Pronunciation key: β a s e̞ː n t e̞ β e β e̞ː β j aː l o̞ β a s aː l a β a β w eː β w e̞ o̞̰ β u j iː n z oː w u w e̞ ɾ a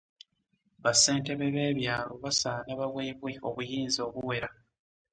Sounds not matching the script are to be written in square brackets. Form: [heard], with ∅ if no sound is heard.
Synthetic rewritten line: β a s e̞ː n t e̞ β e β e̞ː β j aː l o̞ β a s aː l a β a β w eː β w e̞ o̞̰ β u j iː n z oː [β] u w e̞ ɾ a